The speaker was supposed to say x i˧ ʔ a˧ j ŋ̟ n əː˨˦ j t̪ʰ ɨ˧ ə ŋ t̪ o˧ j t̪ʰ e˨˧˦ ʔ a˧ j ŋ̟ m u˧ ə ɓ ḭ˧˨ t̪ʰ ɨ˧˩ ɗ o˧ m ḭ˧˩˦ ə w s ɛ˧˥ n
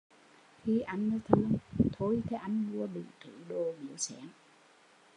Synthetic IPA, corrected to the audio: x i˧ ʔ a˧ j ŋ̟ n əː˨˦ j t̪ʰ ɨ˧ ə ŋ t̪ʰ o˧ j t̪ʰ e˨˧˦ ʔ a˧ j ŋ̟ m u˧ ə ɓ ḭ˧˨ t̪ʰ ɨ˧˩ ɗ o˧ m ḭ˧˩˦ ə w s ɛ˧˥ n